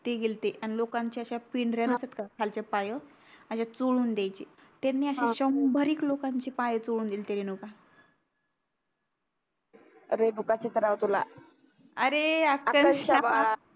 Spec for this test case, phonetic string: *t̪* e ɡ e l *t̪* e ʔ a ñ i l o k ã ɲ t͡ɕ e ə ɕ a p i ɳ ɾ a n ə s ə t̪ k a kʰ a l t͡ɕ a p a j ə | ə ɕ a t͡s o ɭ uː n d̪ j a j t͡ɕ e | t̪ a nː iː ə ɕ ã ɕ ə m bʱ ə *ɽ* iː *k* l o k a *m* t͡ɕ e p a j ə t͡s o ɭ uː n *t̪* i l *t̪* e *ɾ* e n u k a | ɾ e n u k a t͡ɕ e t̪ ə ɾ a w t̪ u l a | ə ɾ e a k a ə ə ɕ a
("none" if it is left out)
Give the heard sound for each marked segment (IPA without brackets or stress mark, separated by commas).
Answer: t̪, t̪, ɾ, k, ɲ, d̪, t̪, ɾ